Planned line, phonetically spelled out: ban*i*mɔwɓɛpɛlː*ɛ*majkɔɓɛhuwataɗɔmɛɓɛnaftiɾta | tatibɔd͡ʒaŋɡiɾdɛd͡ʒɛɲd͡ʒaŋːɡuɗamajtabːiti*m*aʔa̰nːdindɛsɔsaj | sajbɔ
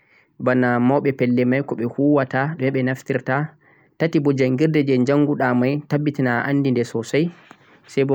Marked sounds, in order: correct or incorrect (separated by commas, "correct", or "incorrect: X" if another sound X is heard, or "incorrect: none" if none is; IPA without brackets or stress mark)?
incorrect: a, correct, incorrect: n